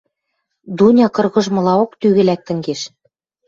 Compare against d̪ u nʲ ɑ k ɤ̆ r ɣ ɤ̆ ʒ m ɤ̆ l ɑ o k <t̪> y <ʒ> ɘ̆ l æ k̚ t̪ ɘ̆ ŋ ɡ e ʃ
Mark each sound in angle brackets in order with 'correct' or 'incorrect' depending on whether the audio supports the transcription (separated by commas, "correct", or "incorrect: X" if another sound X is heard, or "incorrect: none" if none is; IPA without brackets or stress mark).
correct, incorrect: ɣ